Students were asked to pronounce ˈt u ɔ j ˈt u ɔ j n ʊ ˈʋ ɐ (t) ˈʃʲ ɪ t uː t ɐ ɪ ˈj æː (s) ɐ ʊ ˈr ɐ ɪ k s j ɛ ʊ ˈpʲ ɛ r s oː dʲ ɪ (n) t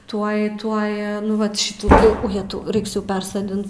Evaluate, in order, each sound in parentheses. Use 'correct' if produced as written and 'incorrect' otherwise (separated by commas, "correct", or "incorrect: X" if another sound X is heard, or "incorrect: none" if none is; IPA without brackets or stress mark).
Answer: correct, incorrect: t, correct